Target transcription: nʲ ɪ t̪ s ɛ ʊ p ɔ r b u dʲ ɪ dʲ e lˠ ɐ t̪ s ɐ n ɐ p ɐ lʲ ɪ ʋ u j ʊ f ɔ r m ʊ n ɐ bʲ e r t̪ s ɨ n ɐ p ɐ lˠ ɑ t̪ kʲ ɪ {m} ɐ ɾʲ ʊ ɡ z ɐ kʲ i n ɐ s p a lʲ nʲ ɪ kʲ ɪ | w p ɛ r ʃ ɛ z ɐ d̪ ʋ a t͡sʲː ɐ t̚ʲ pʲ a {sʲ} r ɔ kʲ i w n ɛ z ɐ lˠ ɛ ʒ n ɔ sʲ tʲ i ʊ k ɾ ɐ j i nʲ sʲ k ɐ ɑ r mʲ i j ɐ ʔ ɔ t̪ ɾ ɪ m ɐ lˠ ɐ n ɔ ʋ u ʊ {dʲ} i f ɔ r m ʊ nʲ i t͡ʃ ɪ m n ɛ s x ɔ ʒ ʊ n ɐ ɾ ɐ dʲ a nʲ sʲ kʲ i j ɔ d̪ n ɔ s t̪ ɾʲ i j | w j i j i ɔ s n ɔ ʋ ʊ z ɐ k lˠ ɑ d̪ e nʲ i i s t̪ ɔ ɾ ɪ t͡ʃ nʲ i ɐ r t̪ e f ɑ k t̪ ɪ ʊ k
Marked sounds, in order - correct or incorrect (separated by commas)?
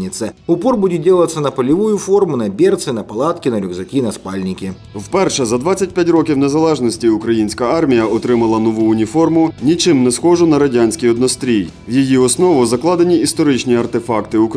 incorrect, incorrect, incorrect